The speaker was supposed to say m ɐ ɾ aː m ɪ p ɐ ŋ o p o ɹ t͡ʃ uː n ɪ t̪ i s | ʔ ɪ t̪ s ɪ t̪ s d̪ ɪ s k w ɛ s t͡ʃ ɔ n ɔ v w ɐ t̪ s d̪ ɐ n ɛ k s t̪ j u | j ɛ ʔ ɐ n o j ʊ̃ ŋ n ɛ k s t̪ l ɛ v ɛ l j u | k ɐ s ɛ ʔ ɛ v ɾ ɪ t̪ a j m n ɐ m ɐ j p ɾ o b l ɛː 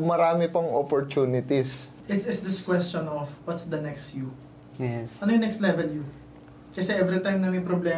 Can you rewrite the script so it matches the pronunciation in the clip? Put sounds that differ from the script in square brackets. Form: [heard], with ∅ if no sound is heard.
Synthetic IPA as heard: m ɐ ɾ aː m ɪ p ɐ ŋ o p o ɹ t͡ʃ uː n ɪ t̪ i s | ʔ ɪ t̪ s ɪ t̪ s d̪ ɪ s k w ɛ s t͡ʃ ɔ n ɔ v w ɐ t̪ s d̪ ɐ n ɛ k s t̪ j u | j ɛ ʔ ɐ n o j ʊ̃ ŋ n ɛ k s t̪ l ɛ v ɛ l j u | k ɐ s ɛ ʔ ɛ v ɾ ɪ t̪ a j m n ɐ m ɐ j p ɾ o b l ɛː